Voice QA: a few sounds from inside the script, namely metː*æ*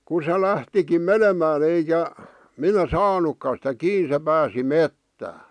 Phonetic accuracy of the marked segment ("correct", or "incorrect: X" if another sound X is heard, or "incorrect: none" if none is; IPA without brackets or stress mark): incorrect: æː